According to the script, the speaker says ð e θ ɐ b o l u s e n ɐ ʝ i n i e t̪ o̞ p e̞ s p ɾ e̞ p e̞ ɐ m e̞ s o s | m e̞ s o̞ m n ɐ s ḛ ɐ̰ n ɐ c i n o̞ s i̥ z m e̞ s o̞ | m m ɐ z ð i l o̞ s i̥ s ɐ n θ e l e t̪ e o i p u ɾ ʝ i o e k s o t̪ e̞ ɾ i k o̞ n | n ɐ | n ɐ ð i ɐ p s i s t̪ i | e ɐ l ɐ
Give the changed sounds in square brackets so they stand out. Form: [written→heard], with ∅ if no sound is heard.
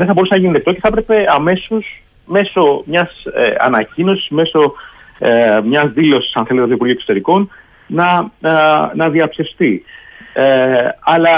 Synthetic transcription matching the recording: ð e θ ɐ b o [l→ɾ] u s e n ɐ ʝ i n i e t̪ o̞ [p→c] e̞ [s→θ] p ɾ e̞ p e̞ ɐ m e̞ s o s | m e̞ s o̞ m [n→ɲ] ɐ s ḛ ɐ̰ n ɐ c i n o̞ s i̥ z m e̞ s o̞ | m [m→ɲ] ɐ z ð i l o̞ s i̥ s ɐ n θ e l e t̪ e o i p u ɾ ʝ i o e k s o t̪ e̞ ɾ i k o̞ n | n ɐ | n ɐ ð i ɐ p s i s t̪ i | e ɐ l ɐ